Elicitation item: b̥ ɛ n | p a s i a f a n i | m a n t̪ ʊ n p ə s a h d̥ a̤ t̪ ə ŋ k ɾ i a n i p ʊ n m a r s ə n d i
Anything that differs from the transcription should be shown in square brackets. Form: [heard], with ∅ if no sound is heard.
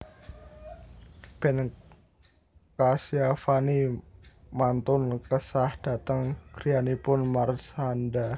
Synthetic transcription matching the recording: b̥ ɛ n | [k] a s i a f a n i | m a n t̪ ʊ n [k] ə s a h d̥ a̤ t̪ ə ŋ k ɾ i a n i p ʊ n m a r s [a] n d [a]